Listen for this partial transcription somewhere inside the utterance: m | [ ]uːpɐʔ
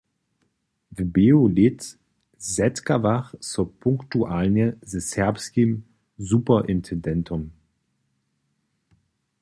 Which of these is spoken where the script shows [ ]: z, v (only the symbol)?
z